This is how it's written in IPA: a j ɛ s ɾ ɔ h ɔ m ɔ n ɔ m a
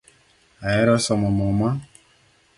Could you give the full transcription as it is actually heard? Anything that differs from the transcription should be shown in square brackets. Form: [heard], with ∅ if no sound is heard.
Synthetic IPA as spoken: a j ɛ [∅] ɾ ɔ [s] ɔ m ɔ [m] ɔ m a